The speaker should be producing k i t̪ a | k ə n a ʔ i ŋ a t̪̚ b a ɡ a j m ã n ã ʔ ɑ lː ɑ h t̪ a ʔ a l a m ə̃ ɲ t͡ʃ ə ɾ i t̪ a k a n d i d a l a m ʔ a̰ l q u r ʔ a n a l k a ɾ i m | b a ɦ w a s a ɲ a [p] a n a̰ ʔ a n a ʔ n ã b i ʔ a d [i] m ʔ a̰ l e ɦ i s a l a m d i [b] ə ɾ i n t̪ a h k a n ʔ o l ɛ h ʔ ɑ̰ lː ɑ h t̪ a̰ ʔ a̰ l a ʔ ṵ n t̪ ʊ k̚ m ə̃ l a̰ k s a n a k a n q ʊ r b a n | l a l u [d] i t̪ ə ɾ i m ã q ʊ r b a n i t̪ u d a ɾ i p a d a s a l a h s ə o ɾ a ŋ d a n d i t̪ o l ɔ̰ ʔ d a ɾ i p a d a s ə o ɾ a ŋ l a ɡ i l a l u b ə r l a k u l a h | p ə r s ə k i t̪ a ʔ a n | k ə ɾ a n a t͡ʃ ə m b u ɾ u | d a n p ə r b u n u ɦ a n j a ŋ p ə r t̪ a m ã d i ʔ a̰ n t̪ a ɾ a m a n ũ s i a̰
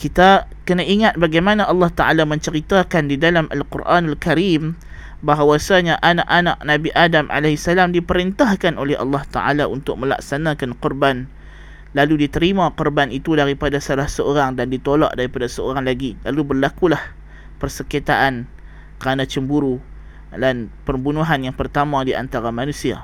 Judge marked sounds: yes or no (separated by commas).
no, no, no, yes